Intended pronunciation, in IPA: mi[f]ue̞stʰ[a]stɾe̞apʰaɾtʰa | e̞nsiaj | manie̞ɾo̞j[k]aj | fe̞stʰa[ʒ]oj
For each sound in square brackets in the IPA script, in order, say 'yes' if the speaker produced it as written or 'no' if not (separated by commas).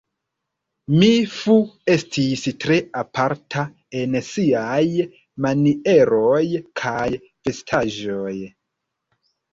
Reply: yes, no, no, yes